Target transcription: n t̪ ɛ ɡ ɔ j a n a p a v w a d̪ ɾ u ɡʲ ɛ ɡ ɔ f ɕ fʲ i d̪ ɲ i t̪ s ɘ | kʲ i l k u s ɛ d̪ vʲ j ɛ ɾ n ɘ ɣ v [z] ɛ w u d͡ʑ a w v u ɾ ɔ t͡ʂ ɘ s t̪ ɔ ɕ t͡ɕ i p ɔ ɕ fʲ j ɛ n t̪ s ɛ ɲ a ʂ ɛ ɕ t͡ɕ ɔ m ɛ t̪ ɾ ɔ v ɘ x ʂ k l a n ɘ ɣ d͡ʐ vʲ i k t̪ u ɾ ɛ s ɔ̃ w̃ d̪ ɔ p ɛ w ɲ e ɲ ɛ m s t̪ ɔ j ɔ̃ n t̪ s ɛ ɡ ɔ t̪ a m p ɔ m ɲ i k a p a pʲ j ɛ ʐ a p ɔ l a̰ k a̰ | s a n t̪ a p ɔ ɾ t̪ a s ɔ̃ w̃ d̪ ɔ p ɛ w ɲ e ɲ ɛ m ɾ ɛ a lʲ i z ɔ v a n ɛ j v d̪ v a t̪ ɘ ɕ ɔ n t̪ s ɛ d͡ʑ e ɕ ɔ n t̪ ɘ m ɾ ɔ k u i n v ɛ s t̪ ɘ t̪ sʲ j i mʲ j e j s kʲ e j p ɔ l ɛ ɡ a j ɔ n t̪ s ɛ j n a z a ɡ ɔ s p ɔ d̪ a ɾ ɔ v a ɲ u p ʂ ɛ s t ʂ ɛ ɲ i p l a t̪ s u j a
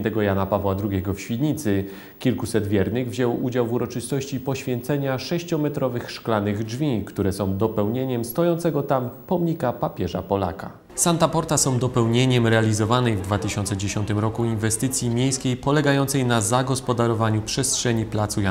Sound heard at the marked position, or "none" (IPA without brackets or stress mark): ʑ